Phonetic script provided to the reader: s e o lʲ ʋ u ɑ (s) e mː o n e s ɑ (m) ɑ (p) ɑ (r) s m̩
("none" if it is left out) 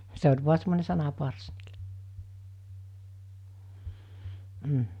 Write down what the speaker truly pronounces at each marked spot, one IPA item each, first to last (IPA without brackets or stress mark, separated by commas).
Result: s, n, p, r